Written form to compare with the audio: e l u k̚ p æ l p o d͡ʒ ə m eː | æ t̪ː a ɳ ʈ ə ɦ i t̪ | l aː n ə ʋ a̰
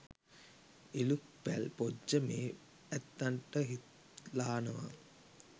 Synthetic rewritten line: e l u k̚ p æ l p o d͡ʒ ə m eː | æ t̪ː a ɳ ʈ ə ɦ i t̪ | l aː n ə ʋ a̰